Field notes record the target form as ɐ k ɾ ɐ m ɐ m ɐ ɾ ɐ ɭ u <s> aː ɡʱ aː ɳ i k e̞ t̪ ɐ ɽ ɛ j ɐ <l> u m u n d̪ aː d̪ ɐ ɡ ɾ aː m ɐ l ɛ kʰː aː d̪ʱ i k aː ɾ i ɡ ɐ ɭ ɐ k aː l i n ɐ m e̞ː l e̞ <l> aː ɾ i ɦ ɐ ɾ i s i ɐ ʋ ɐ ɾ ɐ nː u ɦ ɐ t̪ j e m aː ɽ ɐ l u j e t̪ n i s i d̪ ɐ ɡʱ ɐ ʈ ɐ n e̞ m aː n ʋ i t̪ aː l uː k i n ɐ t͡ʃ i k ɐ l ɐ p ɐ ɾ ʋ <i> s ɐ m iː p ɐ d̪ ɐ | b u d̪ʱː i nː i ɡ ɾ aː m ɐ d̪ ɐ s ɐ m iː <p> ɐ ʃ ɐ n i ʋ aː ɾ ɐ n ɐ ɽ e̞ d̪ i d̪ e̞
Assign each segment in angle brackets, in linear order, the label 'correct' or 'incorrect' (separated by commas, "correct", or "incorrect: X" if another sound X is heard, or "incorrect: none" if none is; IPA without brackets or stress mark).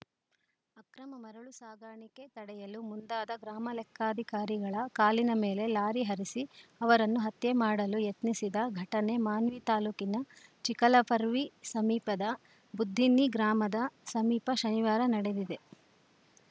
correct, correct, correct, correct, correct